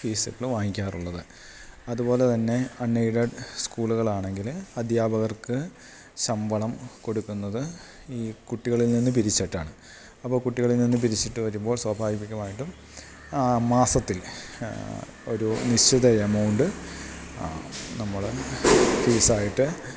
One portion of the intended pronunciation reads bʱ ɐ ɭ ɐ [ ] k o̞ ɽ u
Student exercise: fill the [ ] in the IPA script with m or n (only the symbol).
m